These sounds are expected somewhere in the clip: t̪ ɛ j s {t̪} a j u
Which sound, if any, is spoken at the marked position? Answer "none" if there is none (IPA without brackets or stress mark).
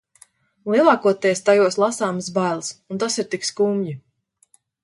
t̪